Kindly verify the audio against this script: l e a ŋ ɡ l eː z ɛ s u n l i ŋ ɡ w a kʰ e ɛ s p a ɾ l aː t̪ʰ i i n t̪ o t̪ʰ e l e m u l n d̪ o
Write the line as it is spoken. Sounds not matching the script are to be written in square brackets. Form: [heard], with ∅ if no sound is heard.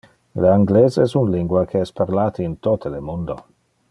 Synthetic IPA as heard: l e a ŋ ɡ l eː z ɛ s u n l i ŋ ɡ w a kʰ e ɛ s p a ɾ l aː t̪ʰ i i n t̪ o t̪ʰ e l e m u [∅] n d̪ o